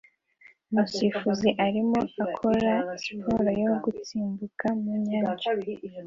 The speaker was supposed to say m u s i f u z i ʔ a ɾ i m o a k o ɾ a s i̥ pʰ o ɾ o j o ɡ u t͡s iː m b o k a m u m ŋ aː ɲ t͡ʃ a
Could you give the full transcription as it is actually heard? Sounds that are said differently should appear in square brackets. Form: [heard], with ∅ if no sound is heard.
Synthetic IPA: m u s i f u z i ʔ a ɾ i m o a [kʰ] o ɾ a s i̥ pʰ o ɾ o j o ɡ u t͡s iː m b [u] k a m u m [ɲ] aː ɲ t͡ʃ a

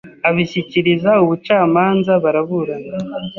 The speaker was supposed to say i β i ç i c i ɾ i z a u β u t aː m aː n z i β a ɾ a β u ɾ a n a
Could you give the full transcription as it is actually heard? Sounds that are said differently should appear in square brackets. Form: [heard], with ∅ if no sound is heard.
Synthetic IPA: [a] β i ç i c i ɾ i z a u β u [t͡ʃ] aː m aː n z [a] β a ɾ a β u ɾ a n a

